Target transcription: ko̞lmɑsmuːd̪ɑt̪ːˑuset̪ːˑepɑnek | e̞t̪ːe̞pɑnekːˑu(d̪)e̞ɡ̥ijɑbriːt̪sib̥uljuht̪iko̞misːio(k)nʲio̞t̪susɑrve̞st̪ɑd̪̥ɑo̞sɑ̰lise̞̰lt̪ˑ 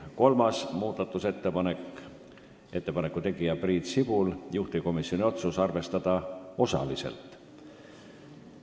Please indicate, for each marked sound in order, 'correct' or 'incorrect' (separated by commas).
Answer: incorrect, incorrect